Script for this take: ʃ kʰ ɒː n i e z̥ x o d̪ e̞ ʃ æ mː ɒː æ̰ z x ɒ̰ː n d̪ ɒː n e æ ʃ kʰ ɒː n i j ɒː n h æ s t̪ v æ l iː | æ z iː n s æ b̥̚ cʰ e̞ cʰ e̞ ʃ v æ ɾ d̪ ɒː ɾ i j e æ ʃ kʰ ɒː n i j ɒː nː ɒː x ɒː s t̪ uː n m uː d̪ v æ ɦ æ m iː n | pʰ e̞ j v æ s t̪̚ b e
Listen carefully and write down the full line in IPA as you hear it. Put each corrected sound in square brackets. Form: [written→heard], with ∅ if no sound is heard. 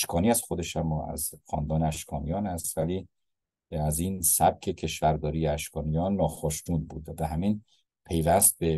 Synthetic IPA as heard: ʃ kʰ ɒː n i [e→æ] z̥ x o d̪ e̞ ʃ æ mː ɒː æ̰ z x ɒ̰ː n d̪ ɒː n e æ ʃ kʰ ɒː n i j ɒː n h æ s t̪ v æ l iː | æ z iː n s æ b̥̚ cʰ e̞ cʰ e̞ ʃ v æ ɾ d̪ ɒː ɾ i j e æ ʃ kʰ ɒː n i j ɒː nː ɒː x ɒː [s→ʃ] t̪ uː n [m→b] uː d̪ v æ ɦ æ m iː n | pʰ e̞ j v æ s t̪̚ b e